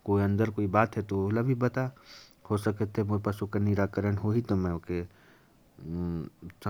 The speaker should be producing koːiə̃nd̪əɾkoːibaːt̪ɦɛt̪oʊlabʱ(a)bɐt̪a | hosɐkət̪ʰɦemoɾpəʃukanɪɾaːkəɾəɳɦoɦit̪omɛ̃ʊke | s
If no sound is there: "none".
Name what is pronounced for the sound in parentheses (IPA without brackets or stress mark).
i